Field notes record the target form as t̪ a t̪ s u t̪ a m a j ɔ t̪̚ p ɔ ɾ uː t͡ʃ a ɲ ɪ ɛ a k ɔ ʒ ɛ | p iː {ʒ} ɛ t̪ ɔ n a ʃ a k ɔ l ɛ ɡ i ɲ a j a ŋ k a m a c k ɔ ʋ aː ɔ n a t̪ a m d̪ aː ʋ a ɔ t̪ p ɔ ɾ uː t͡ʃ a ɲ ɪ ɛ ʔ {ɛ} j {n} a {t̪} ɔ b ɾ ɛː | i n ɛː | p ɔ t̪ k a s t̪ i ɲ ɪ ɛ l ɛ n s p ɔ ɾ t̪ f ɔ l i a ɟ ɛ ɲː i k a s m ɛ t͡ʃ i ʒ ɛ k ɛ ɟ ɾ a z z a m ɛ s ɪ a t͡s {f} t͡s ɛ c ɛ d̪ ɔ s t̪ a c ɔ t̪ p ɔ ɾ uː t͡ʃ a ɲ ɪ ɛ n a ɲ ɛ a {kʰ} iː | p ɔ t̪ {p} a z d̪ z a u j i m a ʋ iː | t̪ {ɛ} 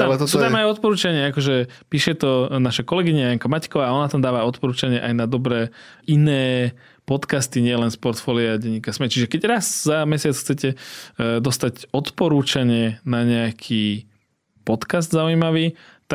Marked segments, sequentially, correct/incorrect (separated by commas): incorrect, incorrect, correct, incorrect, incorrect, correct, incorrect, incorrect